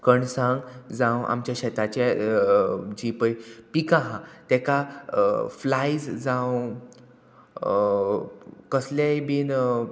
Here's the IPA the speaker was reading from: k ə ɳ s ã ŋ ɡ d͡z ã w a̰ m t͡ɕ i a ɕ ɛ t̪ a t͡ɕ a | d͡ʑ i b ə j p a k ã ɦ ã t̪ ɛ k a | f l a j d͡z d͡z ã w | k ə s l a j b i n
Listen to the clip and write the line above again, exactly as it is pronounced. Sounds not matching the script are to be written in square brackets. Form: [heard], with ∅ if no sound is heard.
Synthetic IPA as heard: k ə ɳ s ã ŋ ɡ d͡z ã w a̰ m t͡ɕ [j] a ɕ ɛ t̪ a t͡ɕ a | d͡ʑ i [p] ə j p [i] k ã ɦ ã t̪ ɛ k a | f l a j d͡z d͡z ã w | k ə s l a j b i n